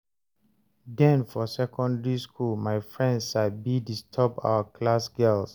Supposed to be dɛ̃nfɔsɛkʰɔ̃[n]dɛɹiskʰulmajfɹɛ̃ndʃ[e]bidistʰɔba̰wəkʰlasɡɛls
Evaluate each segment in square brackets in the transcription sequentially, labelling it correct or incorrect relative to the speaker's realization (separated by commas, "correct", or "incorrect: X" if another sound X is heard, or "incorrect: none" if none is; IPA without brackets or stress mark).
correct, incorrect: a